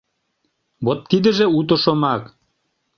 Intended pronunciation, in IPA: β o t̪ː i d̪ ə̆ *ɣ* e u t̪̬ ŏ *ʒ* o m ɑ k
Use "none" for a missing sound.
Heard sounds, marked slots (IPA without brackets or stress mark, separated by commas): ʒ, ʃ